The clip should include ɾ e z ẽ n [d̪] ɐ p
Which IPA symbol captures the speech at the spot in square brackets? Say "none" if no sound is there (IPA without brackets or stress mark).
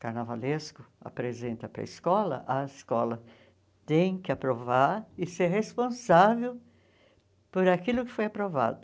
t̪